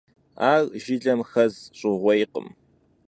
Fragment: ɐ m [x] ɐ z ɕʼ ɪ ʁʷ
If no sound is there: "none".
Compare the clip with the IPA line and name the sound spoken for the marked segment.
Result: x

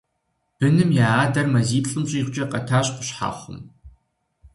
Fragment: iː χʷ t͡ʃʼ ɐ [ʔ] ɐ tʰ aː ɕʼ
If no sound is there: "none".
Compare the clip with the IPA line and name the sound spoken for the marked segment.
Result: q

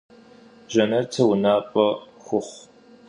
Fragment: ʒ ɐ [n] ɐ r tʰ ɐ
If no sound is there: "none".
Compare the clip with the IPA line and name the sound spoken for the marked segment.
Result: n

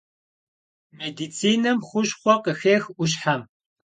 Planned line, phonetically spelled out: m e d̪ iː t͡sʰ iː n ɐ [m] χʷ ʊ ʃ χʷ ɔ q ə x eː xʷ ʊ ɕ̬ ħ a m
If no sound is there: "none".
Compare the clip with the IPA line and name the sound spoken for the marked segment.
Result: m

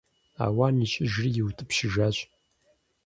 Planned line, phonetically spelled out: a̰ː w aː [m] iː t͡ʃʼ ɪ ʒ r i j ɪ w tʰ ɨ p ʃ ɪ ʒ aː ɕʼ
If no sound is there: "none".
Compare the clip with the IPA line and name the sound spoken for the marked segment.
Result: n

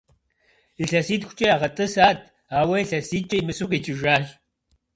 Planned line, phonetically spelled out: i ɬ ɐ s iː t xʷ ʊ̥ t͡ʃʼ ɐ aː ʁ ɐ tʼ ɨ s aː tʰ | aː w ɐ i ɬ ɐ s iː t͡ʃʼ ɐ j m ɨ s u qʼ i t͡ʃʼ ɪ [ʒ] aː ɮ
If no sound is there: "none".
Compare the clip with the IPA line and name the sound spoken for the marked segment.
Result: ʒ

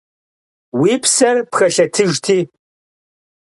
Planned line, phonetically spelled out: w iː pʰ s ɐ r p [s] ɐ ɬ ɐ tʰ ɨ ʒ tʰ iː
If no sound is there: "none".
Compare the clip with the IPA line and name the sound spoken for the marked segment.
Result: x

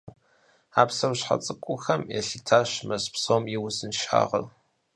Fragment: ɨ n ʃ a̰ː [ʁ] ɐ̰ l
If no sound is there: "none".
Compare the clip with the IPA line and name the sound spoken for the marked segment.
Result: ʁ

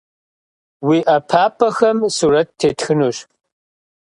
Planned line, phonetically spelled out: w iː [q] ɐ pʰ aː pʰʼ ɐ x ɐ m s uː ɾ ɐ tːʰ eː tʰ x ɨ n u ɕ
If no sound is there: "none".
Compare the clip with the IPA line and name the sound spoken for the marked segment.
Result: ʔ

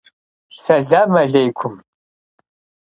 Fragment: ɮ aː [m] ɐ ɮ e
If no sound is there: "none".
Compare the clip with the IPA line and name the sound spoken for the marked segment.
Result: m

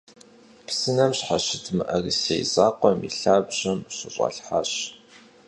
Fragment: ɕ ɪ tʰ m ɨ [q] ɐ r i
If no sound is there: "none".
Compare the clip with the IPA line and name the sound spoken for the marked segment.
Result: ʔ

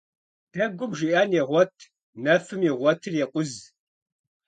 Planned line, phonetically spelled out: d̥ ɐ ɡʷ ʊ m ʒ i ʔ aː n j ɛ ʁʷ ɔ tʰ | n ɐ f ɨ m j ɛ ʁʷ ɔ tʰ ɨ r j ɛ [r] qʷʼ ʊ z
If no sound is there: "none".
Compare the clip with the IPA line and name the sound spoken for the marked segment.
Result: none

